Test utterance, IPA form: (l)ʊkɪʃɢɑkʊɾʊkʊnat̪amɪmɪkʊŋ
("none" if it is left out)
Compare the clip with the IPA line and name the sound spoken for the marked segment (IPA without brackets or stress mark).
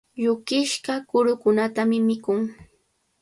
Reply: ʎ